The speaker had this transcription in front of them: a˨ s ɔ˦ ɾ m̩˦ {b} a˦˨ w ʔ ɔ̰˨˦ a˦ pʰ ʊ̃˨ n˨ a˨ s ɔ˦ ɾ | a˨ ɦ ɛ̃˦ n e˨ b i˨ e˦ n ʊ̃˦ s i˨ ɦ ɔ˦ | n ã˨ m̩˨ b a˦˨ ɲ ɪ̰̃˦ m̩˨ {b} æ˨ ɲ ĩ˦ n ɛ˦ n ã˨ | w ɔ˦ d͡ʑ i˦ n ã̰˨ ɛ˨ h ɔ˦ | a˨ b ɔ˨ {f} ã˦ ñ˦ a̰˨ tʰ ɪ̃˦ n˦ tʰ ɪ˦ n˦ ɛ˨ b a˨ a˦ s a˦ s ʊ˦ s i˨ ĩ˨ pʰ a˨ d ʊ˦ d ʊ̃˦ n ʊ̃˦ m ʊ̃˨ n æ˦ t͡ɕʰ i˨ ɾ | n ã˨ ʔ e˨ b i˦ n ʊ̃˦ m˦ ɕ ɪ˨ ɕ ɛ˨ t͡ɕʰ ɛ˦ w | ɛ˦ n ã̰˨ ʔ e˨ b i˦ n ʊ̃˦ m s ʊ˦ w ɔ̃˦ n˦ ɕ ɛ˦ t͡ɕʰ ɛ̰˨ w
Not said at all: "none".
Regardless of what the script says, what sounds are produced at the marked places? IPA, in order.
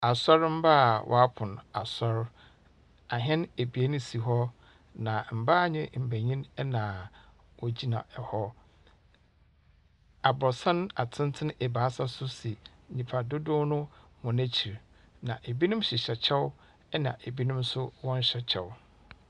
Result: b, b, s

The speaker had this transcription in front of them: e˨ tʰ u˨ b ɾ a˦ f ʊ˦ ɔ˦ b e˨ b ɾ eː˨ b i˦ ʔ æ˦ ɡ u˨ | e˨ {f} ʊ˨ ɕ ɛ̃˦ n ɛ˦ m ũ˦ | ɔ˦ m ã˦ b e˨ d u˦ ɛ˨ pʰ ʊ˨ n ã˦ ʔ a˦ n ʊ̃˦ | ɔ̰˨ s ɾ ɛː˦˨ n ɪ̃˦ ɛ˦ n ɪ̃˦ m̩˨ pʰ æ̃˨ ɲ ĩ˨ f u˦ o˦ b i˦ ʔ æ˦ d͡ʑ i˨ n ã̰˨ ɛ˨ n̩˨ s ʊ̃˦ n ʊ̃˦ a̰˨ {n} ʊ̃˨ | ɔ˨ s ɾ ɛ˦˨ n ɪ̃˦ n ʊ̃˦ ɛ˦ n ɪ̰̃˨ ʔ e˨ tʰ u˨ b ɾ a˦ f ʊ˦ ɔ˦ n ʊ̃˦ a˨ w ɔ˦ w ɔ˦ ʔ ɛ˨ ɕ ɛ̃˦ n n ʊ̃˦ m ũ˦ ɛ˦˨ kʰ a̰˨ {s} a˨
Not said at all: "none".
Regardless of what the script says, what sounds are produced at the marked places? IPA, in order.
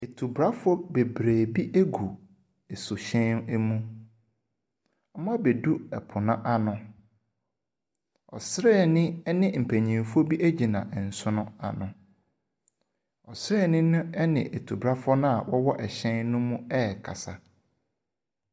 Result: s, n, s

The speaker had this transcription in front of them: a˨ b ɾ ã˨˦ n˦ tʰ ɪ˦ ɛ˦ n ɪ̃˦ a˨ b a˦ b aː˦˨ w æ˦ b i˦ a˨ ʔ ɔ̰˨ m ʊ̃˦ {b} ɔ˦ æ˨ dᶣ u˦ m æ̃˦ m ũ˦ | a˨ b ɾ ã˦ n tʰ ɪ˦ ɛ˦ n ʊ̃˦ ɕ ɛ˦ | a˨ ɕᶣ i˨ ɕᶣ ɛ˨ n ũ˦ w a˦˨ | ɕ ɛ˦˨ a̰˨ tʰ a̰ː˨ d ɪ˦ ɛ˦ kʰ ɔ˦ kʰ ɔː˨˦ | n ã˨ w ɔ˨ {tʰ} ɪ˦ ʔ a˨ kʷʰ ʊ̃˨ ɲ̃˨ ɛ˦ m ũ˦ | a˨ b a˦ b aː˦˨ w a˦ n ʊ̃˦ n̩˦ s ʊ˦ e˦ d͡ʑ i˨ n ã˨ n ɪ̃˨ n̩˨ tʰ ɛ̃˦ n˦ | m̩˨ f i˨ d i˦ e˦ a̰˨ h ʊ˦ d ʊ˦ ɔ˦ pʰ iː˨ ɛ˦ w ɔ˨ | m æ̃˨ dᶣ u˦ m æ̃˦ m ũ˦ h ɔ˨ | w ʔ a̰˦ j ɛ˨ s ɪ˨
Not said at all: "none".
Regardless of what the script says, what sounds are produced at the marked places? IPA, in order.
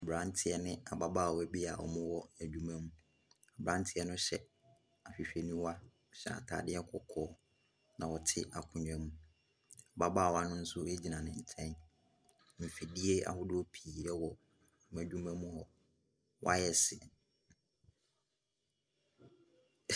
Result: w, tʰ

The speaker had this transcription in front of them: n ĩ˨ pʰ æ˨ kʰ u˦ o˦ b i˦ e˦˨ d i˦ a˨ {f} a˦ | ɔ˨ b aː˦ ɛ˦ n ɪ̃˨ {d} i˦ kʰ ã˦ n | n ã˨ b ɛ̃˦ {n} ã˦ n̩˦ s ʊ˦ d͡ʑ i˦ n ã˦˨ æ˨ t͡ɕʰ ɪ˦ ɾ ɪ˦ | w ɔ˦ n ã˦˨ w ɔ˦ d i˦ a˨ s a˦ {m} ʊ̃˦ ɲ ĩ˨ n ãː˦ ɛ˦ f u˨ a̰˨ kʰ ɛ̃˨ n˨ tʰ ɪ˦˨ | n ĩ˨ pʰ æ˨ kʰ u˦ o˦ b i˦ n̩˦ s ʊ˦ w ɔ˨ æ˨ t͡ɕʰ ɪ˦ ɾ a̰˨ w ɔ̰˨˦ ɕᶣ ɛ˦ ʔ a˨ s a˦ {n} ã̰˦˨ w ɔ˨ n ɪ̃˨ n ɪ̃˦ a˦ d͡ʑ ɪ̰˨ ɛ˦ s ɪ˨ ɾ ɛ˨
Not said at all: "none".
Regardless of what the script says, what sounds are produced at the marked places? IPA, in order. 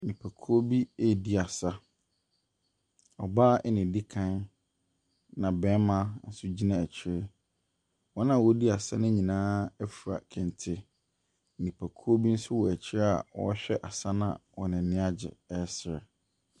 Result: s, d, m, n, n

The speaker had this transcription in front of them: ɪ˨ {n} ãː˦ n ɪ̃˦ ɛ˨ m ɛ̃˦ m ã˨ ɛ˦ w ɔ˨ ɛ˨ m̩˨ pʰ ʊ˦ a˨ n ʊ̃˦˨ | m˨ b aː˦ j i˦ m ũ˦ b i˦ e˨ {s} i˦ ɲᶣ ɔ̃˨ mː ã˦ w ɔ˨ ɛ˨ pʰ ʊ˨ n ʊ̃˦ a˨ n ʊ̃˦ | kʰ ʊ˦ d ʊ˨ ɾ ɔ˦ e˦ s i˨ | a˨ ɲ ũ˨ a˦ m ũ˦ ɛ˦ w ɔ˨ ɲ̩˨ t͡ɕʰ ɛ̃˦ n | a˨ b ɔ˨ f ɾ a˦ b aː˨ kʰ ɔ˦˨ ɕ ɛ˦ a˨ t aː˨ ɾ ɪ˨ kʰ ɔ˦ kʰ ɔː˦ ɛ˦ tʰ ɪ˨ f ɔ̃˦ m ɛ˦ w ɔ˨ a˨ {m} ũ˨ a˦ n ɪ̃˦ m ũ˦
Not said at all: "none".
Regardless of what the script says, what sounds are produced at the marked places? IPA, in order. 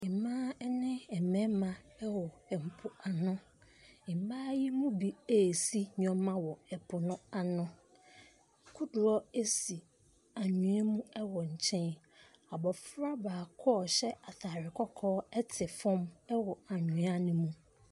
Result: m, s, ɲ

